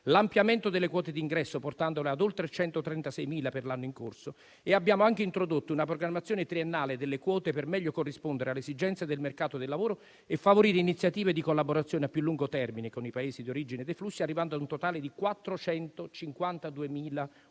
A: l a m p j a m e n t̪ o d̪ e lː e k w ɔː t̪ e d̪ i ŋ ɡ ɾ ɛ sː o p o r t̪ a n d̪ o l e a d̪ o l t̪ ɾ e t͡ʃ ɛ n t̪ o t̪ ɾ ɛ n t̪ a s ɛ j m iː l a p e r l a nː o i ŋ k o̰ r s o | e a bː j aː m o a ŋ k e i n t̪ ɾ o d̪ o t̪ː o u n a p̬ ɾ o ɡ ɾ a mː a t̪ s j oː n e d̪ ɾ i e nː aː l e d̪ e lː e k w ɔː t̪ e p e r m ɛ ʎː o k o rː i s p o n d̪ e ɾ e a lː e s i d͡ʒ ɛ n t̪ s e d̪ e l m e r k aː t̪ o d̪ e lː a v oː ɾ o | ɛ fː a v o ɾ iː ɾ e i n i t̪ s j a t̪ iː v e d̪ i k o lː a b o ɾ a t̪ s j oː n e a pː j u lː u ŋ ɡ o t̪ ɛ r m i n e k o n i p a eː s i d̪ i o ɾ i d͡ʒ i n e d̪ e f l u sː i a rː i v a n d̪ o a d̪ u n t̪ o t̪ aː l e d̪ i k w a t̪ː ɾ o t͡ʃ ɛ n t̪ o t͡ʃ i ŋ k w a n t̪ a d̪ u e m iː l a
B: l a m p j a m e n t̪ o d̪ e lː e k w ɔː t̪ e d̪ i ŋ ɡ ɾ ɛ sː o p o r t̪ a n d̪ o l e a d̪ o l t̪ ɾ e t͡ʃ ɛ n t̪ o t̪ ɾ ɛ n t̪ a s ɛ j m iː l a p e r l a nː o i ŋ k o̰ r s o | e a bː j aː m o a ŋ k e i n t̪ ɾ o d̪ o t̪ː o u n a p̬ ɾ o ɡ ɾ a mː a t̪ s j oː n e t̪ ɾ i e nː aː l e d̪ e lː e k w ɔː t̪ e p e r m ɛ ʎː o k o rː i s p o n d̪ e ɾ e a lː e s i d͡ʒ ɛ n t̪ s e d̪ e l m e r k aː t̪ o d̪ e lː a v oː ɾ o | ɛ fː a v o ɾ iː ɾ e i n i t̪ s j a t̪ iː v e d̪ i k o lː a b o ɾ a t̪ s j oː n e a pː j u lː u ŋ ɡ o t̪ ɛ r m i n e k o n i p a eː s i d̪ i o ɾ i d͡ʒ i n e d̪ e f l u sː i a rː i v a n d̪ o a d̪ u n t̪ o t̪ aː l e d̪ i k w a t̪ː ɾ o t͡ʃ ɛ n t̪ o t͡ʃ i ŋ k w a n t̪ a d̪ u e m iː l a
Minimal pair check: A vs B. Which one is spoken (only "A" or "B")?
B